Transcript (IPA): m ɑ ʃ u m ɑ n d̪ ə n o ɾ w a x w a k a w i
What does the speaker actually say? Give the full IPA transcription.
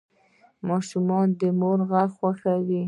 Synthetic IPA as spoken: m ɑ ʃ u m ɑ n d̪ ə m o ɾ ɣ a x w a x a w i